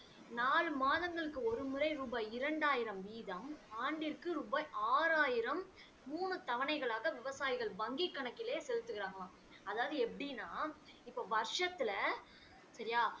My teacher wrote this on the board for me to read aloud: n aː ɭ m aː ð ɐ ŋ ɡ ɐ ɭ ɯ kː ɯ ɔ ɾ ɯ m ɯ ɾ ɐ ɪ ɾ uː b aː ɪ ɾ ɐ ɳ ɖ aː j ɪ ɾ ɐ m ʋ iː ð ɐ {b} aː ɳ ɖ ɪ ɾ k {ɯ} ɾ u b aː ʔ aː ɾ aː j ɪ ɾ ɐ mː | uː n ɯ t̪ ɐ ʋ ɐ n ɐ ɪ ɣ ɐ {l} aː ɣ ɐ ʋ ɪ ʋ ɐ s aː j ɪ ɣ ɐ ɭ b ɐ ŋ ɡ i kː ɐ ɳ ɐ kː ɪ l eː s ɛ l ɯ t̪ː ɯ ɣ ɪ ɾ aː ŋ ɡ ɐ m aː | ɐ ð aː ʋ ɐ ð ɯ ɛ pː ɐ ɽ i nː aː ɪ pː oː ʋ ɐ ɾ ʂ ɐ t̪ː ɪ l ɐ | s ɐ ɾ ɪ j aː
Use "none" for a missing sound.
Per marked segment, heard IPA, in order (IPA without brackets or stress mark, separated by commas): m, ɯ, ɭ